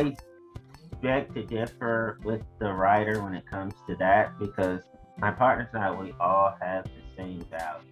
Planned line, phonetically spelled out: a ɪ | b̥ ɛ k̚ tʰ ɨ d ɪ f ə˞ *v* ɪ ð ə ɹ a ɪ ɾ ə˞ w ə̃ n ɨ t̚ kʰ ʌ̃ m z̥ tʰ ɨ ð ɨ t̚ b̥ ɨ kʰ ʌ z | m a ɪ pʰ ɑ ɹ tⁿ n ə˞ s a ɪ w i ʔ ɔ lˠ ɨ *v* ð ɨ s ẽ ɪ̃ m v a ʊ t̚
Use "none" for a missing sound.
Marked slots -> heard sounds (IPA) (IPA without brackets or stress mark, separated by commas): w, v